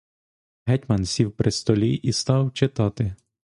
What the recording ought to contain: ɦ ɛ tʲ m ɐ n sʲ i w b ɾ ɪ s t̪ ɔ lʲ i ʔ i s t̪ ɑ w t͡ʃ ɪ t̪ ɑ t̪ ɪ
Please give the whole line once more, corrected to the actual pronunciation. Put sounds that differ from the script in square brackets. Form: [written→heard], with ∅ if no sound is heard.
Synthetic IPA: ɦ ɛ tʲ m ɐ n sʲ i w [b→p] ɾ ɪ s t̪ ɔ lʲ i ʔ i s t̪ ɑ w t͡ʃ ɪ t̪ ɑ t̪ ɪ